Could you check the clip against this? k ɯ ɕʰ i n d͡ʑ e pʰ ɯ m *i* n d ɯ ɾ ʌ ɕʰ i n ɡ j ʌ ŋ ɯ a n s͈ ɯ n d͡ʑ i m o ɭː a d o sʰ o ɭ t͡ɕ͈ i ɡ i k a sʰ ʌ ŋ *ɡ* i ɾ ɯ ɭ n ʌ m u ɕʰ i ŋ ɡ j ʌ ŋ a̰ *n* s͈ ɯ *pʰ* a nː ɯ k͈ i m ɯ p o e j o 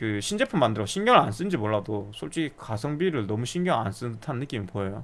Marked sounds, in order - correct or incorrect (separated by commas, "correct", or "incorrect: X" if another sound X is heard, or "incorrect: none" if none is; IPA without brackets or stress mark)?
incorrect: a, incorrect: b, correct, incorrect: tʰ